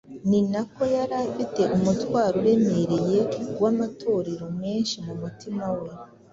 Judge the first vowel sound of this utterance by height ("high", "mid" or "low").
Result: high